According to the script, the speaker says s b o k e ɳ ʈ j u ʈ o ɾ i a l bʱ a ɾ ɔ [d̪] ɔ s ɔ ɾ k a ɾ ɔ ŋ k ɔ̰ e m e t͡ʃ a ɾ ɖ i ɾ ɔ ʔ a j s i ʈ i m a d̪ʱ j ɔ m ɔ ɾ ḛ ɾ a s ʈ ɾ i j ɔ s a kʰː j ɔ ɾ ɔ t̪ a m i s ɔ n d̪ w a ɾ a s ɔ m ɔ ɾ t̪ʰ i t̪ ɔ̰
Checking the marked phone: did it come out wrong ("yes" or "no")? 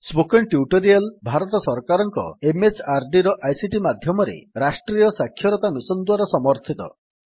yes